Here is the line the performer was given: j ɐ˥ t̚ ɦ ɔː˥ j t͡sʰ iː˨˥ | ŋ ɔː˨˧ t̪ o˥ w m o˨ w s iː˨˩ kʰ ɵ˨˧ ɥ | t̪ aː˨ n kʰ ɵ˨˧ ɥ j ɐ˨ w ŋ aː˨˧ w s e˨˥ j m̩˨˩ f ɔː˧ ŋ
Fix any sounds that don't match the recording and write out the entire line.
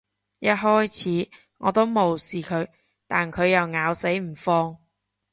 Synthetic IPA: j ɐ˥ t̚ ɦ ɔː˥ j t͡sʰ iː˨˥ | ŋ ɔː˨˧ t̪ o˥ w m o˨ w s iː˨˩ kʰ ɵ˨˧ ɥ | t̪ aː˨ n kʰ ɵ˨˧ ɥ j ɐ˨ w ŋ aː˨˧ w s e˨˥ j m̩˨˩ f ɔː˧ ŋ